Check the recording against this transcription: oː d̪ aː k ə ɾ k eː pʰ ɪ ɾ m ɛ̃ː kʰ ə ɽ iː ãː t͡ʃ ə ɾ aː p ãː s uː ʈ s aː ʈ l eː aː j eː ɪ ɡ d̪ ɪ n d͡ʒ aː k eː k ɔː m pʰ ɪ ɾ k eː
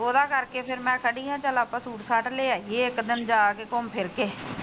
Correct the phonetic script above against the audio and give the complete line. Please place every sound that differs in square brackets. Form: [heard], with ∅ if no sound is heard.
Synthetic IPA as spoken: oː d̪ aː k ə ɾ k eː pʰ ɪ ɾ m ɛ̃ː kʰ ə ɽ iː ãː t͡ʃ ə [l] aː p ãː s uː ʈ s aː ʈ l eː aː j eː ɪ [k] d̪ ɪ n d͡ʒ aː k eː k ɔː m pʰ ɪ ɾ k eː